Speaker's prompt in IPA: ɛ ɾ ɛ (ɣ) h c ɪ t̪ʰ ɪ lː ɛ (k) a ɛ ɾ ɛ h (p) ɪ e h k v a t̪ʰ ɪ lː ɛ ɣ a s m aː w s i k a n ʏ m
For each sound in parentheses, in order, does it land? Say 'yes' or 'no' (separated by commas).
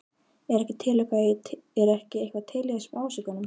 no, yes, no